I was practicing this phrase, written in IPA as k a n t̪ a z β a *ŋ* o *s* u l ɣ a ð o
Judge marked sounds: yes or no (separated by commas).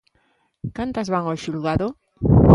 yes, no